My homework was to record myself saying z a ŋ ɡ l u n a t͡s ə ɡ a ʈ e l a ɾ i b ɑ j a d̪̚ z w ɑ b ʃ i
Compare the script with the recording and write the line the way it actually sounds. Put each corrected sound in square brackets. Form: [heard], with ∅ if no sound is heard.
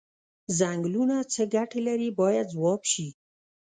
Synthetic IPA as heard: z a ŋ ɡ l u n a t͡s ə ɡ a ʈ e l a ɾ i b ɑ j a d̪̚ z w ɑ b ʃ i